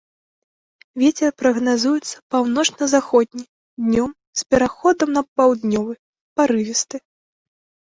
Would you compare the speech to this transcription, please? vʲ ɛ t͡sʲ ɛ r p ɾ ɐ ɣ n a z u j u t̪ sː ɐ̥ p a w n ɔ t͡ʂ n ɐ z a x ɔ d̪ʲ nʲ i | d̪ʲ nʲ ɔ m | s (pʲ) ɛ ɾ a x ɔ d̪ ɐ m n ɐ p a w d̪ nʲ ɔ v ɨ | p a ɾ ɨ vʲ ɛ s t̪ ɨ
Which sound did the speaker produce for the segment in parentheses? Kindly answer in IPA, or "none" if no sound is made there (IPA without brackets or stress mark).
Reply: pʲ